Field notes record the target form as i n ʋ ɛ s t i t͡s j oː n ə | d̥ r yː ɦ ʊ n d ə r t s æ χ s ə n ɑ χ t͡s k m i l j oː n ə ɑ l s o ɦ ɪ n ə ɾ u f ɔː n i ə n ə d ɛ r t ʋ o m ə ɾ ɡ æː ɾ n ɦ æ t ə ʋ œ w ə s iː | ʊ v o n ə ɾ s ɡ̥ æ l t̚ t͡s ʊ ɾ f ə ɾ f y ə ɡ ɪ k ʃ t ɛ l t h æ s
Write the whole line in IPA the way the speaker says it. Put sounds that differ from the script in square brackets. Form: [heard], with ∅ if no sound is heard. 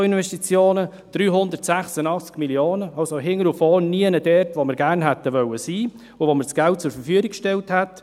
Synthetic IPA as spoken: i n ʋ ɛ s t i t͡s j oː n ə | d̥ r yː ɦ ʊ n d ə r t s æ χ s ə n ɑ χ t͡s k m i l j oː n ə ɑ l s o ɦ ɪ [ŋ] ə ɾ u f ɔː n i ə n ə d ɛ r t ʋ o m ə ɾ ɡ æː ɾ n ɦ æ t ə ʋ œ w ə s iː | ʊ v o [m] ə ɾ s ɡ̥ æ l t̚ t͡s ʊ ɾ f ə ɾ f y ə ɡ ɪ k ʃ t ɛ l t h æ [t]